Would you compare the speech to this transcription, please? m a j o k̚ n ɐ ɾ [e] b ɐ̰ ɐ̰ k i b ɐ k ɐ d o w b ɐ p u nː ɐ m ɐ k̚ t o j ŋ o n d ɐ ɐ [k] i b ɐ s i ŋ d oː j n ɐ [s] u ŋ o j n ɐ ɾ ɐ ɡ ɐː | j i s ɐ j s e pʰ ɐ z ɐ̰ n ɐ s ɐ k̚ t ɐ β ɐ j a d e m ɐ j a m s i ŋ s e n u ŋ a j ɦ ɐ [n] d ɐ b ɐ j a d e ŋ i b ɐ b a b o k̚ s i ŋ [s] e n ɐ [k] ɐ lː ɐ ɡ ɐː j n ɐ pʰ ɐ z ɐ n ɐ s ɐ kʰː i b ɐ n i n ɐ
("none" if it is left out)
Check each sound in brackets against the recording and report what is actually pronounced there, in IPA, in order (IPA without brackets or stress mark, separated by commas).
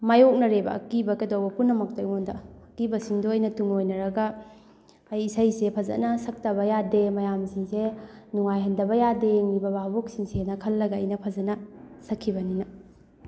e, k, t, n, s, kʰ